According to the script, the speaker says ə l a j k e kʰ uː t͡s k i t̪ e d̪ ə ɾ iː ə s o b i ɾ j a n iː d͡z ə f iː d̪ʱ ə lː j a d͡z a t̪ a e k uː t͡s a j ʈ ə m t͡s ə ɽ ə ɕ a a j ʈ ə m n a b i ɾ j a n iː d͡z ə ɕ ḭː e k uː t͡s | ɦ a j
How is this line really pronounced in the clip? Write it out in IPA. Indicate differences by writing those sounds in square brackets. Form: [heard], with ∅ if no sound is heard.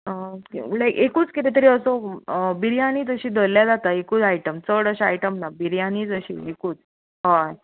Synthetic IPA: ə l a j k e [k] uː t͡s k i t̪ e [t̪] ə ɾ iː ə s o b i ɾ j a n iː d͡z ə [ɕ] iː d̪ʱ ə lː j a d͡z a t̪ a e k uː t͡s a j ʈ ə m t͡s ə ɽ ə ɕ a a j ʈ ə m n a b i ɾ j a n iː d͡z ə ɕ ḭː e k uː t͡s | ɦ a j